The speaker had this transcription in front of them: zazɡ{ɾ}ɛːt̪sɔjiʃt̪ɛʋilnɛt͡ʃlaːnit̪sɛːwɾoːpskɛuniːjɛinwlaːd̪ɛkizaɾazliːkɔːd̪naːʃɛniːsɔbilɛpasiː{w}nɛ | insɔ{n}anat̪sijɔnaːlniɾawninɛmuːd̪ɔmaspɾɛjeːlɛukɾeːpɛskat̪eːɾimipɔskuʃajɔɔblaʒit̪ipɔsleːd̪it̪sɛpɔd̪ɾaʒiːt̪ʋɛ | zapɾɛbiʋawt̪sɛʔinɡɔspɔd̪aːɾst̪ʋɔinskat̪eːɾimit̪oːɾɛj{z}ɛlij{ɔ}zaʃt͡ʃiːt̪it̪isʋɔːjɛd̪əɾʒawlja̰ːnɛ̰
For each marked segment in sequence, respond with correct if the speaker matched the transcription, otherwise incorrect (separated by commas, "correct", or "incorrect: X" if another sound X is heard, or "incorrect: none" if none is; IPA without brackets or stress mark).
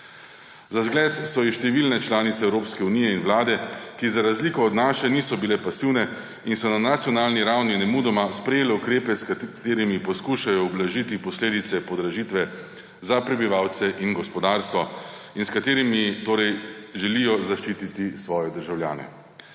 incorrect: l, correct, correct, incorrect: ʒ, correct